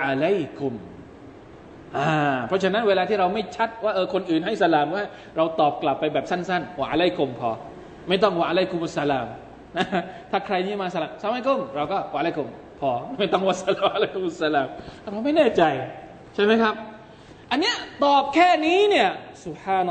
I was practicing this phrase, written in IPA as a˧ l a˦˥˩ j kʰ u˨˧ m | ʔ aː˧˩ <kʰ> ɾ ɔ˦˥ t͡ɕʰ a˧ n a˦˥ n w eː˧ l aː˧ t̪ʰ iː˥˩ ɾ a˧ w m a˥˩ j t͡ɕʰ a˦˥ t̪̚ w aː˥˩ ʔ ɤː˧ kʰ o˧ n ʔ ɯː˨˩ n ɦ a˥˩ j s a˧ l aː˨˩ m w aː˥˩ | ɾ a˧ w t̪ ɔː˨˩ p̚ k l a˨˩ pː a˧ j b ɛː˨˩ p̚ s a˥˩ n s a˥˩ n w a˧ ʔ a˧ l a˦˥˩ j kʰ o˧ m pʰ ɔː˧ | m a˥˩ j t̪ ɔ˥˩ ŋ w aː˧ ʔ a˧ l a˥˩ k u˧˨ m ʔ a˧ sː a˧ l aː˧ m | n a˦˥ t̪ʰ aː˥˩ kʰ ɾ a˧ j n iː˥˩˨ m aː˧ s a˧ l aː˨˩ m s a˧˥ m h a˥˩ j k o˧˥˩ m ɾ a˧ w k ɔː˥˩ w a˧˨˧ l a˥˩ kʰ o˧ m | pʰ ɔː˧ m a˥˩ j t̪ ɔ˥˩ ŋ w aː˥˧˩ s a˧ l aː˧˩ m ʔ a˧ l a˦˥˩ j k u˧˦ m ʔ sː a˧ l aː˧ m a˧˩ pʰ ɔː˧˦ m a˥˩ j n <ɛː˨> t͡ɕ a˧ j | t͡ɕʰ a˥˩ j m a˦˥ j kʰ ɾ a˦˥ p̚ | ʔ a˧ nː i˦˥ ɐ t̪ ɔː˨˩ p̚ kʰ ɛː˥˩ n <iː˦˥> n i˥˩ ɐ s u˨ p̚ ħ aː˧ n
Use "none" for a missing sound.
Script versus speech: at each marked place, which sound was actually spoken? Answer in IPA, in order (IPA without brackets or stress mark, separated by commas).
pʰ, ɛː˥˩, iː˦˥